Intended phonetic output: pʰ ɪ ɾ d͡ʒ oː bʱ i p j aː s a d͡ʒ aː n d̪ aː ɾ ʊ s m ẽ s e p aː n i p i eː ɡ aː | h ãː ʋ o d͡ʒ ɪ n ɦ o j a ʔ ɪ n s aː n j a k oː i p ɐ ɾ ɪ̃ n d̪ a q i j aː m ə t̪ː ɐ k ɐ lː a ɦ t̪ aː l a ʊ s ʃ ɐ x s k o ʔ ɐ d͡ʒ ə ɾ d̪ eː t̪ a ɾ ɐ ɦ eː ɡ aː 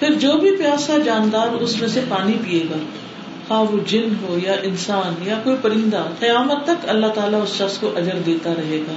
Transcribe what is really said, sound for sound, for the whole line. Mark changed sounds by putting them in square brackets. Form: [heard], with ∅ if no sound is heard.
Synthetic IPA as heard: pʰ ɪ ɾ d͡ʒ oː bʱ i p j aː s a d͡ʒ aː n d̪ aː ɾ ʊ s m ẽ s e p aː n i p i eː ɡ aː | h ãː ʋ o d͡ʒ ɪ n ɦ o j a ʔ ɪ n s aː n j a k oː i p ɐ ɾ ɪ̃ n d̪ a q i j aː m ə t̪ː ɐ k ɐ lː a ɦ t̪ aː l a ʊ s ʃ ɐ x s k o ʔ ɐ d͡ʒ ə ɾ d̪ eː t̪ a ɾ ɐ ɦ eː ɡ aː